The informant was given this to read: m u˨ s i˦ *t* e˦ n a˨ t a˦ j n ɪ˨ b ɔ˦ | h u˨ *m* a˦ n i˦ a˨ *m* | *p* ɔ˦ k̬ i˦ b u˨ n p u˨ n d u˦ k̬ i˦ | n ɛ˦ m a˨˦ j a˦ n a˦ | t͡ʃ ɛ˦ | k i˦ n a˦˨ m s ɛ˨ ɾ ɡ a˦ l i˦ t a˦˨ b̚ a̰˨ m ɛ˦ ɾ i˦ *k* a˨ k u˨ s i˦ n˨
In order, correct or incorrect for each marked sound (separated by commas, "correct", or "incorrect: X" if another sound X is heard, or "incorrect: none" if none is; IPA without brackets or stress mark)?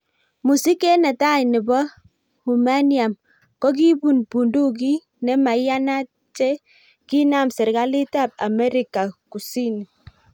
incorrect: k, correct, correct, incorrect: k, correct